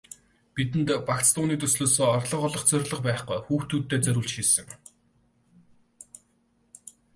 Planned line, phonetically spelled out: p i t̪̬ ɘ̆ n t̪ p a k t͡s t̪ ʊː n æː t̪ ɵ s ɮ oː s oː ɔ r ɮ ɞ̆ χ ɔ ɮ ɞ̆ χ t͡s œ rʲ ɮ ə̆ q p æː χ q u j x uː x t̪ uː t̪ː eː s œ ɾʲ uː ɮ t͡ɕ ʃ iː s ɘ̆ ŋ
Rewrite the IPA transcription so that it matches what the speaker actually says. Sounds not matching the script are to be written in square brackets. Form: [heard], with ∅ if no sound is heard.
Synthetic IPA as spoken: p i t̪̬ ɘ̆ n t̪ p a k t͡s t̪ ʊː n [iː] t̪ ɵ s ɮ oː s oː ɔ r ɮ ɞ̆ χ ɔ ɮ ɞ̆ χ t͡s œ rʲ ɮ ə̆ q p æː χ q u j x uː x t̪ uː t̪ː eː [t͡s] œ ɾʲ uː ɮ t͡ɕ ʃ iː s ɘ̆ ŋ